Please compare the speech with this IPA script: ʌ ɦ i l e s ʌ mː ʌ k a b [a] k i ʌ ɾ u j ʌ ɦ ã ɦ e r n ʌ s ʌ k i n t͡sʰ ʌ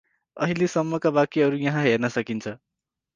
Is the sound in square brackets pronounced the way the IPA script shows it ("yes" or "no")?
yes